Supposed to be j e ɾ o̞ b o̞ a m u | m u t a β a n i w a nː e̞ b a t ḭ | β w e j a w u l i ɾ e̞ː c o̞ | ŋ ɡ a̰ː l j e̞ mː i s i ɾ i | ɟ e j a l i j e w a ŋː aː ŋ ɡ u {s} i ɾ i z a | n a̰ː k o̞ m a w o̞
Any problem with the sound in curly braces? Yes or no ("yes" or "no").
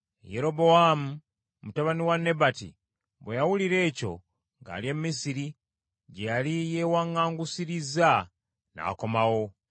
no